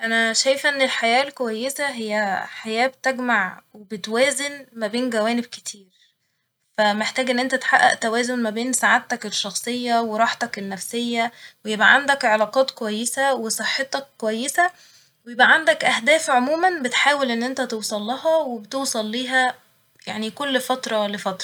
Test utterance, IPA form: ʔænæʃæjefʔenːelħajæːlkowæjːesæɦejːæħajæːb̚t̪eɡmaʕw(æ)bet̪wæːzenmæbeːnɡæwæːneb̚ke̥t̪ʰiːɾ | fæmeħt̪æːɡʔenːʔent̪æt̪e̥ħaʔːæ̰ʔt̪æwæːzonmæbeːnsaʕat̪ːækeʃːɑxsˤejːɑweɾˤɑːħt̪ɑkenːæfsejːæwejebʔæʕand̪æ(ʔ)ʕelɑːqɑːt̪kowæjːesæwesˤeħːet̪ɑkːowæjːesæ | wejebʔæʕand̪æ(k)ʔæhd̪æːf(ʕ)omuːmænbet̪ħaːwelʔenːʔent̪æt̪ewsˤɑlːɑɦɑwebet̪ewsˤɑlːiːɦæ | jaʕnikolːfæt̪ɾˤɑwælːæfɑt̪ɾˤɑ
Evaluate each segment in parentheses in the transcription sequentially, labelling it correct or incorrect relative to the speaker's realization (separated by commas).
incorrect, incorrect, correct, correct